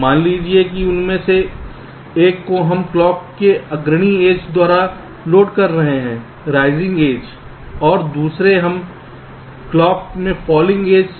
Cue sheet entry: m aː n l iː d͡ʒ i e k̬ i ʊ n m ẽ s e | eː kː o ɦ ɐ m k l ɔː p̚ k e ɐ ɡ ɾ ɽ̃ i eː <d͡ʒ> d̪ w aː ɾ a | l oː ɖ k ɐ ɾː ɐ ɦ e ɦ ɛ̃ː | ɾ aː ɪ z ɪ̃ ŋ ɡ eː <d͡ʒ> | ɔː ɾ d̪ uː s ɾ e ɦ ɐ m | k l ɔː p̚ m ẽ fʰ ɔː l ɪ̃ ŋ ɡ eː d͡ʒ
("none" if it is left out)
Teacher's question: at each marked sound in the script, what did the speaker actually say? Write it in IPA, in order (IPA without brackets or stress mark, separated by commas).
d͡ʒ, d͡ʒ